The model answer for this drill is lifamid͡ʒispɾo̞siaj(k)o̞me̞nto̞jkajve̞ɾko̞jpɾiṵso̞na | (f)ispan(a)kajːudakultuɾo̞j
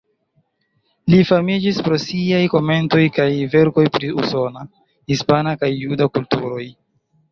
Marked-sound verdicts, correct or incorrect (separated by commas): correct, incorrect, correct